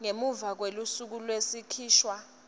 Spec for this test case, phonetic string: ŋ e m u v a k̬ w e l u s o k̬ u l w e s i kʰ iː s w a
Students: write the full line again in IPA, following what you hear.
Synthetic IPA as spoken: ŋ e m u v a k̬ w e l u s u k̬ u l w e s i kʰ iː ʃ w a